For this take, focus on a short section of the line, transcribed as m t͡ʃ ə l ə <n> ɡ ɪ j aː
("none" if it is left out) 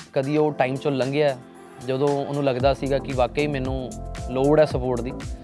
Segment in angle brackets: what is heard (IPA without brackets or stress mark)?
ŋ